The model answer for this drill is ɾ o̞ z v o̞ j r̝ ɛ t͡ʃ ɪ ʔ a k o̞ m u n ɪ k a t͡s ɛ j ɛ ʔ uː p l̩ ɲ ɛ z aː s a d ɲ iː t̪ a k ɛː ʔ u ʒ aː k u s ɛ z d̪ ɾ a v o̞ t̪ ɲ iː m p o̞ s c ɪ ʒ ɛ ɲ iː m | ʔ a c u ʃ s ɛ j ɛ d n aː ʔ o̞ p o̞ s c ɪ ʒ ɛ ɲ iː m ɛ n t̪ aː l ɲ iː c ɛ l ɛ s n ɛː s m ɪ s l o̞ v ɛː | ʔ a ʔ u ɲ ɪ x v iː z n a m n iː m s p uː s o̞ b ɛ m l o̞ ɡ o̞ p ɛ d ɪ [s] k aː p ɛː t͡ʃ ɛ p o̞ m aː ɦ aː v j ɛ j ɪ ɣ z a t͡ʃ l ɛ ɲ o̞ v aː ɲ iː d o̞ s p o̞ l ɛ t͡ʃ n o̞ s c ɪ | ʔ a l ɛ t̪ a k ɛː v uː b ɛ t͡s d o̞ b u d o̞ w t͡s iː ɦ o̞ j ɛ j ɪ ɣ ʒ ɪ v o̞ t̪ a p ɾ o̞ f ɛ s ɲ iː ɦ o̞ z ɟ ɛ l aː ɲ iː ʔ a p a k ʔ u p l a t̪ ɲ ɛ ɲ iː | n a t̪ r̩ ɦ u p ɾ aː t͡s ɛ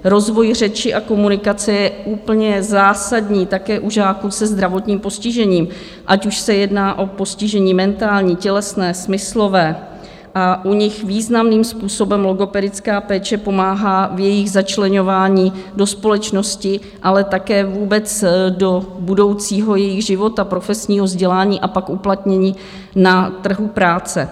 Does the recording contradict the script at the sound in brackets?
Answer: yes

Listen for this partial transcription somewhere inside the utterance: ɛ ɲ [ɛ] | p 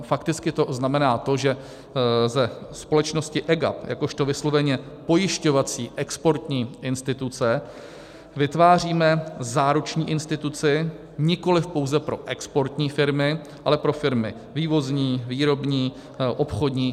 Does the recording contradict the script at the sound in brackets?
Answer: no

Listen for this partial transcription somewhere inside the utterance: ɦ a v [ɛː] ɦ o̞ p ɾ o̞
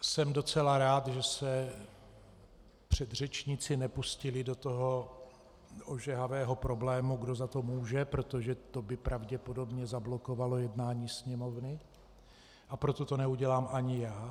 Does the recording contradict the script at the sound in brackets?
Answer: no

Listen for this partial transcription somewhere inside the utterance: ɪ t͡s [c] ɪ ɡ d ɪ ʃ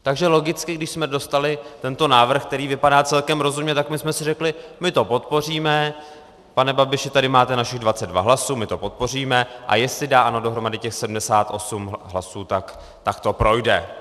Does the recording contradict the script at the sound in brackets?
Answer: yes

